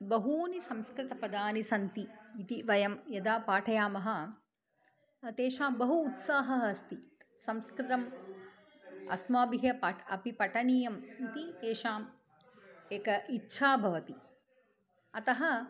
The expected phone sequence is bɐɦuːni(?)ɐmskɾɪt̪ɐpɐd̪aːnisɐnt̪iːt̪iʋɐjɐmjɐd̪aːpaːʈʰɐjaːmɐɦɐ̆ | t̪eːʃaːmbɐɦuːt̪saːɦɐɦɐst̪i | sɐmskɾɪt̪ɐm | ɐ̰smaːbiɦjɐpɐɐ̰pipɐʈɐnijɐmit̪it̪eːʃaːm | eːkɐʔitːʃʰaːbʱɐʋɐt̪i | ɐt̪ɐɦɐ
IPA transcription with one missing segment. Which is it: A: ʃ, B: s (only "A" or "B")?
B